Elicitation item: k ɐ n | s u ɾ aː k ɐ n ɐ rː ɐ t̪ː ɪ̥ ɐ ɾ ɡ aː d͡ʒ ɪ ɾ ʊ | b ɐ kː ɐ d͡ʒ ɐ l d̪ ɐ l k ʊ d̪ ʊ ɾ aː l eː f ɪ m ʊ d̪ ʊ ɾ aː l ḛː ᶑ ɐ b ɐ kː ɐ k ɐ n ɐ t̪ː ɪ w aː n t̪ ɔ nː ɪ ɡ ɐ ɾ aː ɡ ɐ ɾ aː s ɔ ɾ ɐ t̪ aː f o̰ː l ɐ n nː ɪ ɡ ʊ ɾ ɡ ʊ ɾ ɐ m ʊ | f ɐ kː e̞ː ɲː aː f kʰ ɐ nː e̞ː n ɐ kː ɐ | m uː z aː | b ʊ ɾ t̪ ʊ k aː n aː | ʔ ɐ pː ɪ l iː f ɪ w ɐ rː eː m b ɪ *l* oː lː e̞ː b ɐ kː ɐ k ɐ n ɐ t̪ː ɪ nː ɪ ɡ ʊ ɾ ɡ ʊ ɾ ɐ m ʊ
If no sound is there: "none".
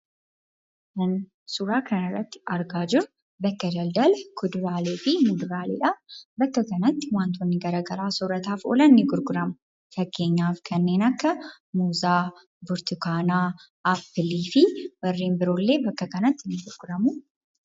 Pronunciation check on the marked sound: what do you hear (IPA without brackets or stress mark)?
ɾ